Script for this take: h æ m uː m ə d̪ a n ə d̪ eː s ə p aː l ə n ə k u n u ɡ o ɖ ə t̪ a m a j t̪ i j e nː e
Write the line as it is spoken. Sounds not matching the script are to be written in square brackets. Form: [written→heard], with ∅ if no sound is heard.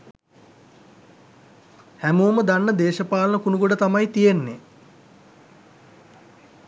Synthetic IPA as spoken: h æ m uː m ə d̪ a [n→nː] ə d̪ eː [s→ʃ] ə p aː l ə n ə k u n u ɡ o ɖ ə t̪ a m a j t̪ i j e nː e